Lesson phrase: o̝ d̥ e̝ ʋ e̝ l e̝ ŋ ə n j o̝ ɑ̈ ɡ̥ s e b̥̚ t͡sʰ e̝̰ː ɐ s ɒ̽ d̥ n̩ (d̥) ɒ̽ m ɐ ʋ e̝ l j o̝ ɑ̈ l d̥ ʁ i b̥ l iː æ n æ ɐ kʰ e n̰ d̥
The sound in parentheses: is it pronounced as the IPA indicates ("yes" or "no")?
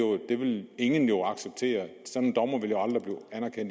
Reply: yes